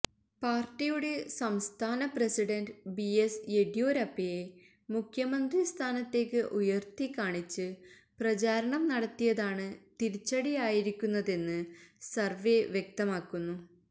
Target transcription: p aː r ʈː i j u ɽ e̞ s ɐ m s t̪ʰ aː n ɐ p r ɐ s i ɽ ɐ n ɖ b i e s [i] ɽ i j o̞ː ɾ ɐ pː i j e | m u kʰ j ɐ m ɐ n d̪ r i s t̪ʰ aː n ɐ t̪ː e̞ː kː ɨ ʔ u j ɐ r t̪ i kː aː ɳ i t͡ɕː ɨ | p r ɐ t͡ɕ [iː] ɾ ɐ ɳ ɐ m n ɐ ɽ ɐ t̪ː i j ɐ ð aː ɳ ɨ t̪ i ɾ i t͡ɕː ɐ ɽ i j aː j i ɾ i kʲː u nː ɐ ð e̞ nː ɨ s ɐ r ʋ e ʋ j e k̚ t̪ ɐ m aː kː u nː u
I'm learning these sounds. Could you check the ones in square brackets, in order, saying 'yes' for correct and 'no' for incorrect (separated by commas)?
no, no